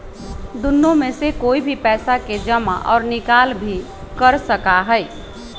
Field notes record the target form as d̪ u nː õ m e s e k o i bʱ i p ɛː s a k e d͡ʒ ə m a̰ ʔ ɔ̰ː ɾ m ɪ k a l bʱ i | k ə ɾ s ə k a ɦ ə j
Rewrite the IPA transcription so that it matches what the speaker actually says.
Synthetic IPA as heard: d̪ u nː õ m e s e k o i bʱ i p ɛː s a k e d͡ʒ ə m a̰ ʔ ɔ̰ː ɾ n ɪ k a l bʱ i | k ə ɾ s ə k a ɦ ə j